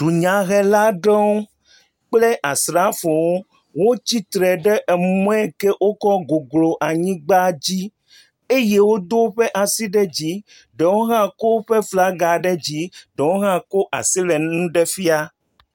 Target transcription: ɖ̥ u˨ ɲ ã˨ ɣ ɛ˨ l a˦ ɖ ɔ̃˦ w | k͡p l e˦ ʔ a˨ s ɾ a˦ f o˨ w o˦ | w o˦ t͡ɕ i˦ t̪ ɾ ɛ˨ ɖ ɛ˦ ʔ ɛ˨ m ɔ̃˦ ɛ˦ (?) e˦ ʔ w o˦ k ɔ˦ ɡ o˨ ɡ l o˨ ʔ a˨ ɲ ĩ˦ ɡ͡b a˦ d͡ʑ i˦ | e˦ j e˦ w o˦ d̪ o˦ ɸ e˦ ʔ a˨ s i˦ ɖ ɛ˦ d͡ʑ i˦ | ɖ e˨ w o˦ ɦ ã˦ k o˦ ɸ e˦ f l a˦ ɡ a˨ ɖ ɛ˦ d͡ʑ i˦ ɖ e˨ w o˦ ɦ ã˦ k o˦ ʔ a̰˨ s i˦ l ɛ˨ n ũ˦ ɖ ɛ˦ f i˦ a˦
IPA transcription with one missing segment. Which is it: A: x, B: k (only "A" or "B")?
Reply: B